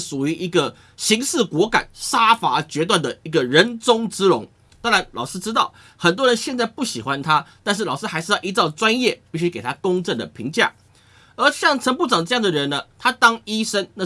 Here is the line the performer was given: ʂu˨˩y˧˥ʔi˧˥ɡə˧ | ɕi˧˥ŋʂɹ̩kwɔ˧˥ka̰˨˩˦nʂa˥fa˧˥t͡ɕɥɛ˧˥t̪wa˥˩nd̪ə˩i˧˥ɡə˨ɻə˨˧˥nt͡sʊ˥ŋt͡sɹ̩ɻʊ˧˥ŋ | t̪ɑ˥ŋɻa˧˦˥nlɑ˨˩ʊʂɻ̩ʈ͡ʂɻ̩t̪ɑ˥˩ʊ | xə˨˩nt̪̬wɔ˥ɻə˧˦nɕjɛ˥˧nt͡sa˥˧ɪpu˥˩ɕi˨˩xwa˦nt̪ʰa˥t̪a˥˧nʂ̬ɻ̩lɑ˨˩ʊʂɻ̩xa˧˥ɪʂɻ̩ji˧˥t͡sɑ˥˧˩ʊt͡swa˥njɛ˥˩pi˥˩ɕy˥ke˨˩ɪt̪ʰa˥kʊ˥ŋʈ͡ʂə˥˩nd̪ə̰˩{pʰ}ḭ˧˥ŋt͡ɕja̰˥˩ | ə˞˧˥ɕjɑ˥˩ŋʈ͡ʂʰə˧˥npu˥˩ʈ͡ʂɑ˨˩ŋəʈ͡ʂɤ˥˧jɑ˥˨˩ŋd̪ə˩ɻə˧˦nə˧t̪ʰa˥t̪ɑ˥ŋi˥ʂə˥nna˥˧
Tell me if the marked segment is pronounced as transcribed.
yes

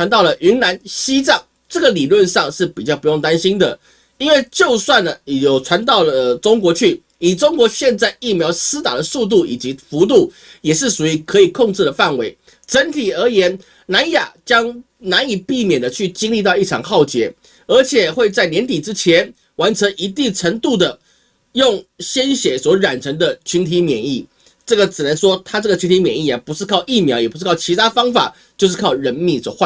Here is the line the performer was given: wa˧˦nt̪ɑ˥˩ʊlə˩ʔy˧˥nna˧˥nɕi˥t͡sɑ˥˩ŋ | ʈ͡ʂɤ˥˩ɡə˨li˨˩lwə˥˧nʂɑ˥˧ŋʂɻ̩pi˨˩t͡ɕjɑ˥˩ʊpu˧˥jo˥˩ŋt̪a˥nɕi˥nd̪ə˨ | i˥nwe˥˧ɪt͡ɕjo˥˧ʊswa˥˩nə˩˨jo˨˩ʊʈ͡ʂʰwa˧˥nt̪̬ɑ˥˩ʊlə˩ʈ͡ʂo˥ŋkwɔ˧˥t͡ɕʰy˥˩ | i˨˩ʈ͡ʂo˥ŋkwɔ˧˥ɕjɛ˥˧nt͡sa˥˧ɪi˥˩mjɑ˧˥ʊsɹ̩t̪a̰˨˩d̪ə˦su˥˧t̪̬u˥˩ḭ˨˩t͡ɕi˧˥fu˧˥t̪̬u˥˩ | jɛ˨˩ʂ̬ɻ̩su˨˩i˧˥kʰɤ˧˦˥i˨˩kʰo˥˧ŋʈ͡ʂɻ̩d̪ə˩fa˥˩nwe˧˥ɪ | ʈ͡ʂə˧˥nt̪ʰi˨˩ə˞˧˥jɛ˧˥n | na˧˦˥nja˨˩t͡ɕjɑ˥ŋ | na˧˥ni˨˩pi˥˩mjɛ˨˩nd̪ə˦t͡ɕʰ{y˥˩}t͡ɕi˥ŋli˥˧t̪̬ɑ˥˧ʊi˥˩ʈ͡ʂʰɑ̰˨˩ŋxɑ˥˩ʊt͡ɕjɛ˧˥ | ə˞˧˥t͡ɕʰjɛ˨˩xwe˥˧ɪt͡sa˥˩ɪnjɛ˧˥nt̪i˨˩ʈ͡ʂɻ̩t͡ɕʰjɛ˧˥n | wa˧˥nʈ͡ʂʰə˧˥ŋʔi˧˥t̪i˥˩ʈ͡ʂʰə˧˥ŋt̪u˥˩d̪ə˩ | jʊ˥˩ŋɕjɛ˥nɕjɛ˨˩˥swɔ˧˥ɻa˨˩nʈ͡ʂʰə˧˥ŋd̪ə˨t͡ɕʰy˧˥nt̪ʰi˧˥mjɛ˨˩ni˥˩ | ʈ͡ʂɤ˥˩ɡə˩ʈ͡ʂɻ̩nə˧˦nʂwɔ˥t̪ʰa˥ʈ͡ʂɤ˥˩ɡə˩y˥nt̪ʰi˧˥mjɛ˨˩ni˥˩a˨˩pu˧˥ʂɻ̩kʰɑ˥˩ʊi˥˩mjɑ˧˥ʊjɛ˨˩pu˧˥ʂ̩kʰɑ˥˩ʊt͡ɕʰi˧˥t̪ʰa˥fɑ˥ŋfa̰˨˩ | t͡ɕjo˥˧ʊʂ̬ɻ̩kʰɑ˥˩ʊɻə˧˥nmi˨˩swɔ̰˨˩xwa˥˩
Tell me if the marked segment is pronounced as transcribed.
yes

